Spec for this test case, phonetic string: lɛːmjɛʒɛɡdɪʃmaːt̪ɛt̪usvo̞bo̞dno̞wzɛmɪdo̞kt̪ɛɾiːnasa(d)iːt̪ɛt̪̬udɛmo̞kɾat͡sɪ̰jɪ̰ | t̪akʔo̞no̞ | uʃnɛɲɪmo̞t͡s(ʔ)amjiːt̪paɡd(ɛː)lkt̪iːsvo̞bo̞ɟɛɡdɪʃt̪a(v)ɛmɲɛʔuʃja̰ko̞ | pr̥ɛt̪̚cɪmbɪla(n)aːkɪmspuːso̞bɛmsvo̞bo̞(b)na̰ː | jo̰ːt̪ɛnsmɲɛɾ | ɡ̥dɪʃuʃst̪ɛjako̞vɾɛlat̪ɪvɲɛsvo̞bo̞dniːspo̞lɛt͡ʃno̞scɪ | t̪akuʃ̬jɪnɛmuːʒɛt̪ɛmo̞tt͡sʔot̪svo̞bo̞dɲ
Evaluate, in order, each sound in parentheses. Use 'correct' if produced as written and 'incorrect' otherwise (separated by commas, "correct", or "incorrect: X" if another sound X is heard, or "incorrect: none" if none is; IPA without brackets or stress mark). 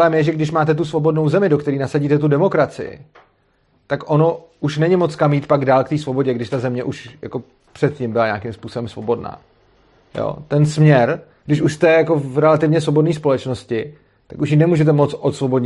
incorrect: ɟ, incorrect: k, incorrect: aː, incorrect: z, incorrect: ɲ, incorrect: d